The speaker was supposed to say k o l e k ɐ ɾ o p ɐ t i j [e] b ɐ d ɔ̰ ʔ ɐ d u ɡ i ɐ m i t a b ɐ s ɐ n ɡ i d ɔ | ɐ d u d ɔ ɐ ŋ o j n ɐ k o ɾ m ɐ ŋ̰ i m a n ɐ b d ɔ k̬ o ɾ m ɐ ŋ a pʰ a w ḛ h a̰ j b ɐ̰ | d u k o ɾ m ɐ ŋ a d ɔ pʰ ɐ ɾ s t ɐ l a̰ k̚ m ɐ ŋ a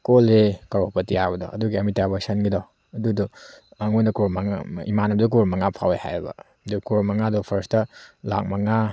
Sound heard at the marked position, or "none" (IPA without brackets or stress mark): a